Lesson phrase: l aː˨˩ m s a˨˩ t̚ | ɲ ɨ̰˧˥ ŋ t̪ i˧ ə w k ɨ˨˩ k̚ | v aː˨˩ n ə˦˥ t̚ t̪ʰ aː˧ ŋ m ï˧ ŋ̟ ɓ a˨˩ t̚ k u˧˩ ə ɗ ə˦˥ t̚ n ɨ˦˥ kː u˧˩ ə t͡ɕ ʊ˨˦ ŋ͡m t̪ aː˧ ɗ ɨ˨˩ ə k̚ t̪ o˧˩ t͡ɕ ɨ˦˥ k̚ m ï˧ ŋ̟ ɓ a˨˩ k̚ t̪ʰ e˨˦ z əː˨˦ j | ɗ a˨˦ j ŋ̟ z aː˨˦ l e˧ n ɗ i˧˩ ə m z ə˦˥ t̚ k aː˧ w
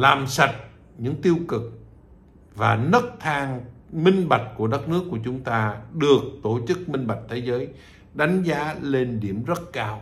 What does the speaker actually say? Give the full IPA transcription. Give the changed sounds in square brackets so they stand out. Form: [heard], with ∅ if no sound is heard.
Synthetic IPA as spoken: l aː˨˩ m s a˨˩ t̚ | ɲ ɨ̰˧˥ ŋ t̪ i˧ ə w k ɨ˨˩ k̚ | v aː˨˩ n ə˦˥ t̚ t̪ʰ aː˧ ŋ m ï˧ ŋ̟ ɓ a˨˩ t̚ k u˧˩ ə ɗ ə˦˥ t̚ n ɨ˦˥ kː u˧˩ ə t͡ɕ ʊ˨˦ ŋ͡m t̪ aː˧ ɗ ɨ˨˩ ə k̚ t̪ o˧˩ t͡ɕ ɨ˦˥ k̚ m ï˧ ŋ̟ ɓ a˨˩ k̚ t̪ʰ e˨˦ z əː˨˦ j | ɗ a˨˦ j ŋ̟ z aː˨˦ l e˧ n ɗ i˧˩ ə m z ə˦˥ t̚ k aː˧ w

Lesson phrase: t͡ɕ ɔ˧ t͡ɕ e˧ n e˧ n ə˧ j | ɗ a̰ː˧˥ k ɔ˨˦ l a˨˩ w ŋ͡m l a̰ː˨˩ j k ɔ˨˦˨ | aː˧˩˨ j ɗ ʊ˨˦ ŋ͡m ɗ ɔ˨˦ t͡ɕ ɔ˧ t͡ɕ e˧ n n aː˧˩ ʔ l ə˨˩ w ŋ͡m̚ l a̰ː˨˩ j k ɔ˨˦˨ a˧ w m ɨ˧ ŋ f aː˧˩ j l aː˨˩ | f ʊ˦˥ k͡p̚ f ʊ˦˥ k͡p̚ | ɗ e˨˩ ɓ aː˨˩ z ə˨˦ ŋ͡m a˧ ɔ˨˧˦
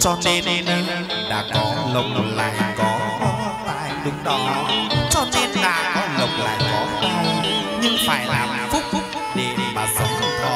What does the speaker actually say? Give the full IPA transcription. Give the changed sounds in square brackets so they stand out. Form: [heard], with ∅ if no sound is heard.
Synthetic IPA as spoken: t͡ɕ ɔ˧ t͡ɕ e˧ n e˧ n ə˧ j | ɗ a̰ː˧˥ k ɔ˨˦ l [ə˨˩] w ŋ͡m l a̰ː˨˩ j k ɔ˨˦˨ | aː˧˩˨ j ɗ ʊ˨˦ ŋ͡m ɗ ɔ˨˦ t͡ɕ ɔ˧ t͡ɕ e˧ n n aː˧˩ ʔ l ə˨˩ w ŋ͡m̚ l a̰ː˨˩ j k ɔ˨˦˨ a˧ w [ɲ] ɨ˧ ŋ f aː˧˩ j l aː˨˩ | f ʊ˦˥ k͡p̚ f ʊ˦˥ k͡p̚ | ɗ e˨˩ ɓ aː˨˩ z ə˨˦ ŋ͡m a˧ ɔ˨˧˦

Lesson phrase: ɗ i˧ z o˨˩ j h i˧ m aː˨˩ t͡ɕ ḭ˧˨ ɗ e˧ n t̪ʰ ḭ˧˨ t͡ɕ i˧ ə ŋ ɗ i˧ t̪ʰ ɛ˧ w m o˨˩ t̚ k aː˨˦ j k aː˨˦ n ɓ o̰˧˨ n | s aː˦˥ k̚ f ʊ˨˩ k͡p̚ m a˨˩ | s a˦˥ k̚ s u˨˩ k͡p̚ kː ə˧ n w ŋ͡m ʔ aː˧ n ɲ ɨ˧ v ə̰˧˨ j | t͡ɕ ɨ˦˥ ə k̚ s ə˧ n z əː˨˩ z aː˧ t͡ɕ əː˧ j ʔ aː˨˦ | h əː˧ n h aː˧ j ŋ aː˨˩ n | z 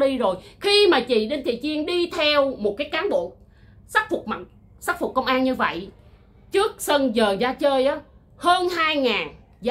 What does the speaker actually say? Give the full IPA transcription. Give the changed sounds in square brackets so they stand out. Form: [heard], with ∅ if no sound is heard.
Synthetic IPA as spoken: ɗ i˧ z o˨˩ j [x] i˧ m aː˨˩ t͡ɕ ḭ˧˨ ɗ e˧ n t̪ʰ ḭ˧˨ t͡ɕ i˧ ə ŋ ɗ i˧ t̪ʰ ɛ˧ w m o˨˩ t̚ k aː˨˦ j k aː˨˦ n ɓ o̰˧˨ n | s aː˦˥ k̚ f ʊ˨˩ k͡p̚ m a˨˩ | s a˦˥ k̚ [f] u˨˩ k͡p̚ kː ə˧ [∅] w ŋ͡m ʔ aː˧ n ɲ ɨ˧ v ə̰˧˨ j | t͡ɕ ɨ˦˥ ə k̚ s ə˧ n z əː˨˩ z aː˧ t͡ɕ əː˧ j ʔ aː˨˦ | h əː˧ n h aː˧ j ŋ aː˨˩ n | z

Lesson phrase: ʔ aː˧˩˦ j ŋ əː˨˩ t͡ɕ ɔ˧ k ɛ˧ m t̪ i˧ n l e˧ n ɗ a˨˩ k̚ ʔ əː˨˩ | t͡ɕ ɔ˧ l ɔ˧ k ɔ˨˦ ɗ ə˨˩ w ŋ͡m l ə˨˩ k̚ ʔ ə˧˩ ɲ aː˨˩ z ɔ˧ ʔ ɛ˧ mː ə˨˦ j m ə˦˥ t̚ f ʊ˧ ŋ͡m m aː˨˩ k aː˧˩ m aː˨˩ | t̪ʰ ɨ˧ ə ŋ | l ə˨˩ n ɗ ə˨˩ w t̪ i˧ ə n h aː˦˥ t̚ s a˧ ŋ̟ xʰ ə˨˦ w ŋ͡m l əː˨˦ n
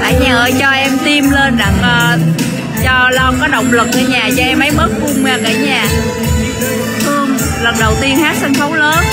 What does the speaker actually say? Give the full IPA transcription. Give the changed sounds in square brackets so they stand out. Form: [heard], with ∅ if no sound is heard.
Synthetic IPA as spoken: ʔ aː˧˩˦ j [ɲ] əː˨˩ t͡ɕ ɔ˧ [ʔ] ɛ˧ m t̪ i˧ [m] l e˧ n ɗ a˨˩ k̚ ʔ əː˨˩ | t͡ɕ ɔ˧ l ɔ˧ k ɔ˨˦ ɗ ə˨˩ w ŋ͡m l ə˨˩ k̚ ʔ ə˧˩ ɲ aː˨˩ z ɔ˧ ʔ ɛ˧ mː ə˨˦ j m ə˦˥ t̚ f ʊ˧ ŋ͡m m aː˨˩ k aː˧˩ [ɲ] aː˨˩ | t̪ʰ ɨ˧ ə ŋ | l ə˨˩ n ɗ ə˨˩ w t̪ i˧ ə n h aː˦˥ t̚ s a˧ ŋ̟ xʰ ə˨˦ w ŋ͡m l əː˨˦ n

